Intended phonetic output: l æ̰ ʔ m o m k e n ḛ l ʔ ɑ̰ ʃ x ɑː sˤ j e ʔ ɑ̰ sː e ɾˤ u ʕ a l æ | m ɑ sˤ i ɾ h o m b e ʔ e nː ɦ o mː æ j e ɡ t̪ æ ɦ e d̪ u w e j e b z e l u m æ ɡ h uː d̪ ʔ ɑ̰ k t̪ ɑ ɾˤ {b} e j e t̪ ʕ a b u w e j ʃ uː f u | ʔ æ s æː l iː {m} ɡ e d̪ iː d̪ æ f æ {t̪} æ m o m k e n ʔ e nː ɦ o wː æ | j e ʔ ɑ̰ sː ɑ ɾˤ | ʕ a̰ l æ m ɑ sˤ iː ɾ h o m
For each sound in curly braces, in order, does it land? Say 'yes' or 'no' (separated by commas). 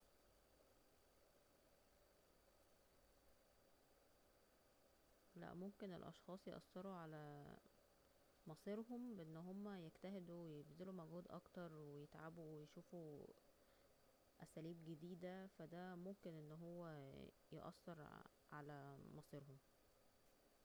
no, no, no